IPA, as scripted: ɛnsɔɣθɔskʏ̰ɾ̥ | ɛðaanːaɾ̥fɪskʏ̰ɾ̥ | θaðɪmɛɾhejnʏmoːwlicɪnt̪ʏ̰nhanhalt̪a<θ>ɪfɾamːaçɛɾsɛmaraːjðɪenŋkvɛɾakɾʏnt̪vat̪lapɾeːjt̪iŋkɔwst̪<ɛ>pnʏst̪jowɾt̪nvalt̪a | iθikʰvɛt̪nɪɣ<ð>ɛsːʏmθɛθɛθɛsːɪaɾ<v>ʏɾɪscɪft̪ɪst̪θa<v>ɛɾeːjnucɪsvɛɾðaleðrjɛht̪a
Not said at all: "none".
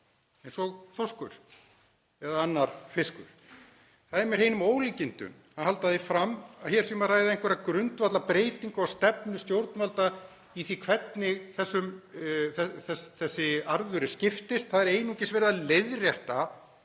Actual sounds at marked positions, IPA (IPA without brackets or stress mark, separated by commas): ð, ɛ, θ, ð, ð